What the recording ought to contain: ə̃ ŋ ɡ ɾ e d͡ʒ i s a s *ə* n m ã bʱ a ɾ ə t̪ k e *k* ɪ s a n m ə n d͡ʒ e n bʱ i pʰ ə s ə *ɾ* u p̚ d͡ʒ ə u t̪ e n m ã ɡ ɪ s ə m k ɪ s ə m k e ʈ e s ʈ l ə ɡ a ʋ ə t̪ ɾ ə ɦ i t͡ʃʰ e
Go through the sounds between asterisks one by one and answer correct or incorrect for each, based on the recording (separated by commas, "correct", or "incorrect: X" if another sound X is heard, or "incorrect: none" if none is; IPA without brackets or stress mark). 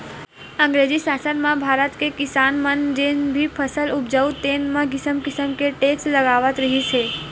correct, correct, incorrect: l